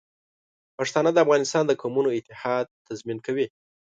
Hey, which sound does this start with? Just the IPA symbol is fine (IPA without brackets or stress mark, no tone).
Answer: p